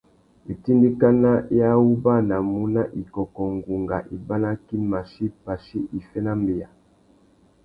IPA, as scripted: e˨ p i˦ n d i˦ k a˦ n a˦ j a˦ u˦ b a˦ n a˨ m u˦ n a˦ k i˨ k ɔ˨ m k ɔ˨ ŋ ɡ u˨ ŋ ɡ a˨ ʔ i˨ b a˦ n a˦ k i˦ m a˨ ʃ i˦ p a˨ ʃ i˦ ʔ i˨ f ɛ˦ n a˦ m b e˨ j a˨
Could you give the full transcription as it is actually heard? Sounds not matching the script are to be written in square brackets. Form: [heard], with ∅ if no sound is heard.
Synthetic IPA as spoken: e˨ [t] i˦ n d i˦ k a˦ n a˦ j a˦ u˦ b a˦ n a˨ m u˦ n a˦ [ʔ] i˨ k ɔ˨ [∅] k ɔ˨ ŋ ɡ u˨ ŋ ɡ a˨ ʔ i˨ b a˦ n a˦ k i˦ m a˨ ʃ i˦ p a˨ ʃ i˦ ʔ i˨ f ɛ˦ n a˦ m b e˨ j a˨